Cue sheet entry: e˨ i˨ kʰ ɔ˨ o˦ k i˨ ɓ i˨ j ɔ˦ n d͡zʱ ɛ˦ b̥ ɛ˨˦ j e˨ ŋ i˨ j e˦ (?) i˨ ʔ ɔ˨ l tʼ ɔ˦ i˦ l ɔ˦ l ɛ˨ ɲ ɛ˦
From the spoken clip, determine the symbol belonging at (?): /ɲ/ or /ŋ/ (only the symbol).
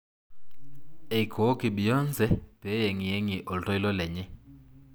ŋ